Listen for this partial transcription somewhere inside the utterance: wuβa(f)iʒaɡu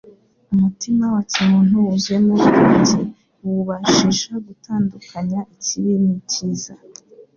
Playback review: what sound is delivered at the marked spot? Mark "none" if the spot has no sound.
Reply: ʃ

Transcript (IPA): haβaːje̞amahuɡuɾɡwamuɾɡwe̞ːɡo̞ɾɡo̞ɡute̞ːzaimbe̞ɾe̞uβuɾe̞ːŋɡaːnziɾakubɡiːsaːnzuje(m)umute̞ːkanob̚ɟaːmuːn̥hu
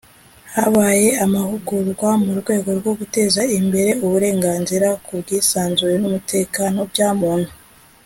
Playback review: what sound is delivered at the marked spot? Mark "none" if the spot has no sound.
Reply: n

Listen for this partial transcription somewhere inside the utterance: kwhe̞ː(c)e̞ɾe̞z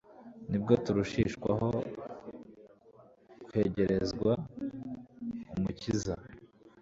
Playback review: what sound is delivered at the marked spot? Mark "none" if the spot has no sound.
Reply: ɟ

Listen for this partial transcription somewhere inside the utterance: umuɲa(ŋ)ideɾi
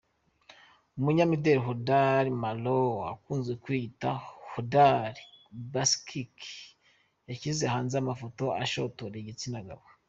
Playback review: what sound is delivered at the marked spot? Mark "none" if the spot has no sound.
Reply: m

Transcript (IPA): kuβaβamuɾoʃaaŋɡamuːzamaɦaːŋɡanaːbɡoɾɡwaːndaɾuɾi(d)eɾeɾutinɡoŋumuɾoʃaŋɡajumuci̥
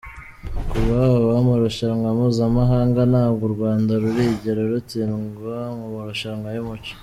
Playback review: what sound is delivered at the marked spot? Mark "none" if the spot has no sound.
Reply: ɟ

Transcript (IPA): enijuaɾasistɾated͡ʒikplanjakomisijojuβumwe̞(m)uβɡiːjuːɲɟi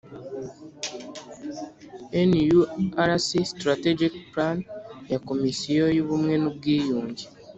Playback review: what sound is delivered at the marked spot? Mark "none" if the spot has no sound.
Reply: n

